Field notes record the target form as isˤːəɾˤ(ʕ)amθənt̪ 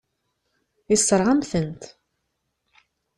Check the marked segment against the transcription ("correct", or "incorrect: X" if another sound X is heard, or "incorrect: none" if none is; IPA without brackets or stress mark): incorrect: ʁ